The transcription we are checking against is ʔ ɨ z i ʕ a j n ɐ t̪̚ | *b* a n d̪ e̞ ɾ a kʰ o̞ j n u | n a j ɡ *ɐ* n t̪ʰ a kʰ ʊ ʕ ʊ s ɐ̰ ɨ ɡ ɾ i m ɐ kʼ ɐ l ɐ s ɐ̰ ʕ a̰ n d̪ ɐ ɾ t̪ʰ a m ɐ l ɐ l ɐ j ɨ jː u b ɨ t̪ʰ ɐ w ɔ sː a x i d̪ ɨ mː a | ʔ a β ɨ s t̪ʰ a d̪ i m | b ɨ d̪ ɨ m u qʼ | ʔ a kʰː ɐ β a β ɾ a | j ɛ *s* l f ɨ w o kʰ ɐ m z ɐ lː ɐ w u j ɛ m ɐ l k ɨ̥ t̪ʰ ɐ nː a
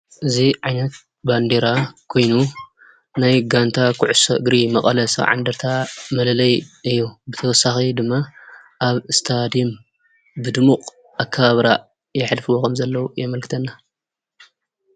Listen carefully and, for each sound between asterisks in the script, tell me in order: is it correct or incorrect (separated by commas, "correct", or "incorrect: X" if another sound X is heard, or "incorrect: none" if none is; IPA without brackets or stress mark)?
correct, incorrect: a, incorrect: ħ